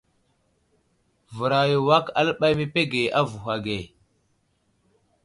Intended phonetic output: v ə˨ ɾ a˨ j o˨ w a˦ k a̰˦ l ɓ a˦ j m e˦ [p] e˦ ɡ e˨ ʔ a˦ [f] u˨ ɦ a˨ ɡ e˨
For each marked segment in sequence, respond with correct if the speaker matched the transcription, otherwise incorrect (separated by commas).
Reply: correct, incorrect